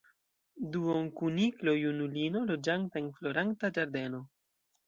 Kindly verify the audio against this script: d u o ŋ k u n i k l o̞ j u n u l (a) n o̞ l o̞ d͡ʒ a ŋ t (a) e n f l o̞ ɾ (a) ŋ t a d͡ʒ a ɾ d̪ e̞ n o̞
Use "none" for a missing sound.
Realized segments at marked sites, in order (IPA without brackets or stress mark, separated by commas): i, a, a